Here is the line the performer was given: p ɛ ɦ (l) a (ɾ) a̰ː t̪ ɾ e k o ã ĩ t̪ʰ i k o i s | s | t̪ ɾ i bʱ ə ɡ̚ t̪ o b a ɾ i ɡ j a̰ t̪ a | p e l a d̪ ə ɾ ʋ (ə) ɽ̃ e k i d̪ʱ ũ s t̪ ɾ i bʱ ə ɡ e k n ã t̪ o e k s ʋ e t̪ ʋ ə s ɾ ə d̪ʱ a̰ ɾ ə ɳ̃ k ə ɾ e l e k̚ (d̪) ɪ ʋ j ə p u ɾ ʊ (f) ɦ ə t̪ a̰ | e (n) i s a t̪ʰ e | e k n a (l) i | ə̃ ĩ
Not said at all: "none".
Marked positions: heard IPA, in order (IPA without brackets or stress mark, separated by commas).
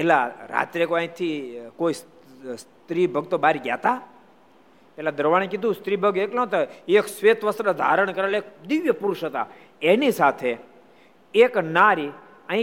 l, ɾ, a, d̪, ʃ, n, ɾ